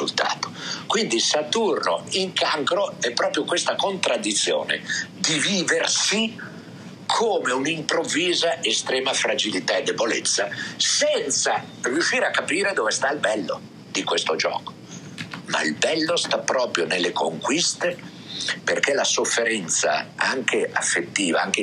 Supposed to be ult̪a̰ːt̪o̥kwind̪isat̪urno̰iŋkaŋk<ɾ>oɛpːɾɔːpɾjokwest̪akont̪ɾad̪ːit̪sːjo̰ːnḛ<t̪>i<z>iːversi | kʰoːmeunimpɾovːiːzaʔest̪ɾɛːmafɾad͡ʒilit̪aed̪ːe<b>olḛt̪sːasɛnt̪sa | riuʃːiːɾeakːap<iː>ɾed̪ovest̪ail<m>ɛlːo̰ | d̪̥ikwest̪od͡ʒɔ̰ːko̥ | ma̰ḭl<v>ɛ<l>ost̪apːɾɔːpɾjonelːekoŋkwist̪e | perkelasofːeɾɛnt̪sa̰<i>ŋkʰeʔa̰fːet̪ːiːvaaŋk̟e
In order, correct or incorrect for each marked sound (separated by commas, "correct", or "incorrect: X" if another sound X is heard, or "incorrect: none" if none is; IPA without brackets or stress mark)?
correct, incorrect: d̪, incorrect: v, correct, correct, incorrect: b, incorrect: b, incorrect: lː, incorrect: a